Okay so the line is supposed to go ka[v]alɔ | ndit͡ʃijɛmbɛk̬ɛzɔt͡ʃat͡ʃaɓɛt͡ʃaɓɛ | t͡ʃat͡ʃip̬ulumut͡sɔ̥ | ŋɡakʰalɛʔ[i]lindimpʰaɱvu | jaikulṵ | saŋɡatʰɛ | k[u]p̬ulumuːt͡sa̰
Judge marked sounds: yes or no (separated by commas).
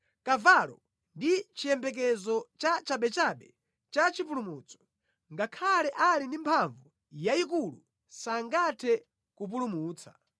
yes, no, yes